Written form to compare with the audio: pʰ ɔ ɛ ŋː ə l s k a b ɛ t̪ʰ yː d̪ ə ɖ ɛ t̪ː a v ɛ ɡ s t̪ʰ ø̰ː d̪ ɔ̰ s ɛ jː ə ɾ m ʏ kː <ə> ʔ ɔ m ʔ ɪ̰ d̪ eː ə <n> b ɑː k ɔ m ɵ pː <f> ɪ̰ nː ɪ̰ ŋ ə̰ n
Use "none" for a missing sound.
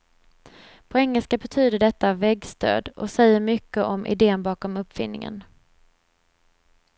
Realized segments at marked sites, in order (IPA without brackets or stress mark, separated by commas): ə, n, f